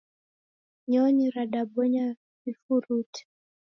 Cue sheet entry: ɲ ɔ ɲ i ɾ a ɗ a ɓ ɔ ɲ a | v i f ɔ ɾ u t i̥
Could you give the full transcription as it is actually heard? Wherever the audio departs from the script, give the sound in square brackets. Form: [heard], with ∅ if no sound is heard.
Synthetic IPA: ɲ ɔ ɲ i ɾ a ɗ a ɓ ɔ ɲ a | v i f [u] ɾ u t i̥